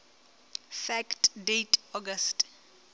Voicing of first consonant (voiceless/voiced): voiceless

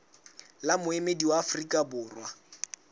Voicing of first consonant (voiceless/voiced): voiced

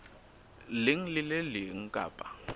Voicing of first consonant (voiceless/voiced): voiced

